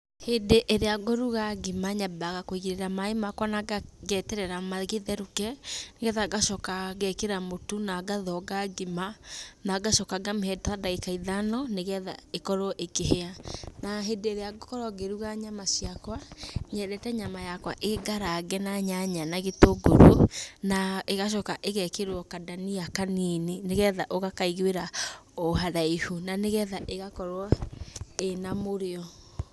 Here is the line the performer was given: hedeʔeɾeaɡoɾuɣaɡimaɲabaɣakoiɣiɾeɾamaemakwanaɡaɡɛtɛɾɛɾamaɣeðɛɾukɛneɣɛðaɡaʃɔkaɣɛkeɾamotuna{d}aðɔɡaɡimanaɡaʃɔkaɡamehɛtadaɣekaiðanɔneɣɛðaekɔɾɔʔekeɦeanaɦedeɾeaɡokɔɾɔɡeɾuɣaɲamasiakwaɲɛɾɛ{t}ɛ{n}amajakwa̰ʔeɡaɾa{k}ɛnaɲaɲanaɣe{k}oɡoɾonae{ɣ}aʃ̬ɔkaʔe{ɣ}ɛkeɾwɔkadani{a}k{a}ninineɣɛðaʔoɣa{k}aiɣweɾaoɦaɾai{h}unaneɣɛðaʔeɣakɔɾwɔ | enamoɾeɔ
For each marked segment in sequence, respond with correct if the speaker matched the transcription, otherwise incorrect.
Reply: incorrect, correct, incorrect, incorrect, incorrect, correct, correct, correct, correct, correct, correct

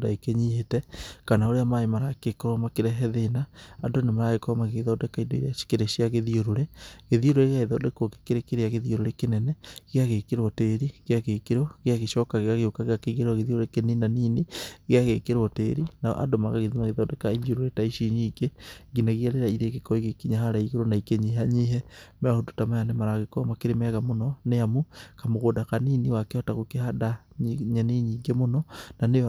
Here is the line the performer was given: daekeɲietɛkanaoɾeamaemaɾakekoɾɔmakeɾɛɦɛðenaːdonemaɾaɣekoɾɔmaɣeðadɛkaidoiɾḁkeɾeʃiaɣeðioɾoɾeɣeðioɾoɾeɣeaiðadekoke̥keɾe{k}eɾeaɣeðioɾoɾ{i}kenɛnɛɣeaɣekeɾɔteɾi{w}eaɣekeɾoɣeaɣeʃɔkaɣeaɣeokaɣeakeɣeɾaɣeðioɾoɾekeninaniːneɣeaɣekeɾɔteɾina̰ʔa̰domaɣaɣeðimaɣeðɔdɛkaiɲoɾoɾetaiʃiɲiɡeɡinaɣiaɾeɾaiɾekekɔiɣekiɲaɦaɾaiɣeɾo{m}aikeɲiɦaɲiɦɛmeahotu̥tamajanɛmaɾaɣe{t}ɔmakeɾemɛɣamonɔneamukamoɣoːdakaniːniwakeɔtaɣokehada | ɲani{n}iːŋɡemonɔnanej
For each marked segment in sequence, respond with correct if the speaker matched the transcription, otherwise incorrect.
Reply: correct, incorrect, incorrect, incorrect, incorrect, incorrect

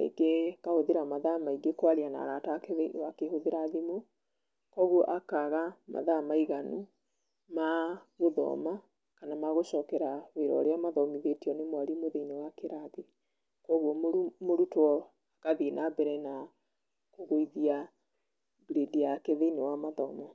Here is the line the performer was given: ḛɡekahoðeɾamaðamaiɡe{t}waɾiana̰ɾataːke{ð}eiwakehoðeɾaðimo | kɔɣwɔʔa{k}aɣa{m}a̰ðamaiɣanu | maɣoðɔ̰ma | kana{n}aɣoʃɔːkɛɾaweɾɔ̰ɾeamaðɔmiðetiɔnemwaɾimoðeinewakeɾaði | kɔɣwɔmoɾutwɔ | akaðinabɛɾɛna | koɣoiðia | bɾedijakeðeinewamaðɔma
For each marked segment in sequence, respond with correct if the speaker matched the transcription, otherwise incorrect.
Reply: incorrect, correct, correct, correct, incorrect

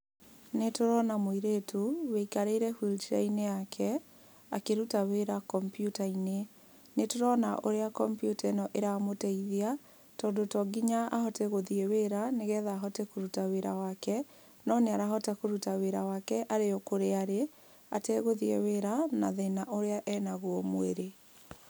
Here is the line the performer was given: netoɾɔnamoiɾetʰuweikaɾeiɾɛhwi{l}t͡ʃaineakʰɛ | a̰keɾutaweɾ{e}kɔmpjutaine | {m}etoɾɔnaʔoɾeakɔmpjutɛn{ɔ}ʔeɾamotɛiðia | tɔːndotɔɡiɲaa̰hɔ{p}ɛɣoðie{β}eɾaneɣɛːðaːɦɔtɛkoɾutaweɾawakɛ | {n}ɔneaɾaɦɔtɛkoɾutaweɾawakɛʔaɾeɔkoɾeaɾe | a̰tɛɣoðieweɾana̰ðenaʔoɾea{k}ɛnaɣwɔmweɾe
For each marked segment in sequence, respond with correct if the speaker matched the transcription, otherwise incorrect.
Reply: correct, incorrect, incorrect, correct, incorrect, incorrect, correct, incorrect

